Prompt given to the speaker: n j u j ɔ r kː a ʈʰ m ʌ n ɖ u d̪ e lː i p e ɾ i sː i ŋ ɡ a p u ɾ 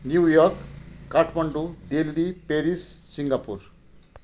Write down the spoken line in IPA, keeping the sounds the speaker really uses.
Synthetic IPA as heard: n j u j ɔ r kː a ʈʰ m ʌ ɳ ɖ u d̪ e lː i p e ɾ i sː i ŋ ɡ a p u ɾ